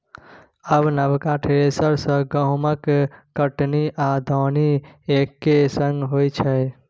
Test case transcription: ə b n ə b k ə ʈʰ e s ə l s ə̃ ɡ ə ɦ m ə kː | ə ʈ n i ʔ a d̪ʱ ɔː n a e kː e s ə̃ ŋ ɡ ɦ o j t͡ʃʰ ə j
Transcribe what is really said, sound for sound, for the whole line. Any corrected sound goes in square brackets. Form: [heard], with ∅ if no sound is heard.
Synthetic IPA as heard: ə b n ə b k [a] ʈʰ e s ə [ɾ] s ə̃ ɡ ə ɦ m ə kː | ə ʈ n i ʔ a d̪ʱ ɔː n [i] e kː e s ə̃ ŋ ɡ ɦ o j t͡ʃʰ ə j